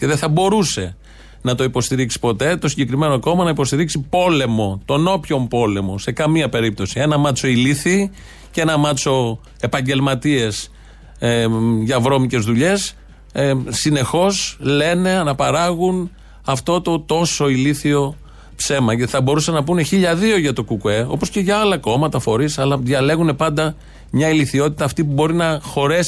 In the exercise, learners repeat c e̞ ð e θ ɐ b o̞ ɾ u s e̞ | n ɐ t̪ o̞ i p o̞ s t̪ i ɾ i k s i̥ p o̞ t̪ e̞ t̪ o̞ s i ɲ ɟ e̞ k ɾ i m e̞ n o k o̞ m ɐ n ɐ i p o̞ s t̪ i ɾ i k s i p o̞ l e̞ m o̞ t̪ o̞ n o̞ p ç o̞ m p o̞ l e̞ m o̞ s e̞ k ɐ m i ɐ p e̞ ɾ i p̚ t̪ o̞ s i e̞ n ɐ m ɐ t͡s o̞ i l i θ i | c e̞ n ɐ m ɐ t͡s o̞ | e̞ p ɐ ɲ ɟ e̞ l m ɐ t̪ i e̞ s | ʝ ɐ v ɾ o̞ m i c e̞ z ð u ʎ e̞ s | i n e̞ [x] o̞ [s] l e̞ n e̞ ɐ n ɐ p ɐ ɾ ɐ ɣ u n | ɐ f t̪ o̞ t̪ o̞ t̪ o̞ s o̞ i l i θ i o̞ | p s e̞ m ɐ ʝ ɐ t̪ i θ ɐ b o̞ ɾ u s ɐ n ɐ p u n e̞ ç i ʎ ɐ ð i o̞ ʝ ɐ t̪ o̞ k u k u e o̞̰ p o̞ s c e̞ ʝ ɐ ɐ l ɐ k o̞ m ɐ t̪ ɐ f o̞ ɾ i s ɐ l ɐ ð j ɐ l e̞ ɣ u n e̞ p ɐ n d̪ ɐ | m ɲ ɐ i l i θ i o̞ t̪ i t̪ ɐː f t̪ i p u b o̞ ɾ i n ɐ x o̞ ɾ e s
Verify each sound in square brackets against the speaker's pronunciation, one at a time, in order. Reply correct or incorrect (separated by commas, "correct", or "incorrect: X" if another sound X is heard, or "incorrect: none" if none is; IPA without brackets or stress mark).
correct, correct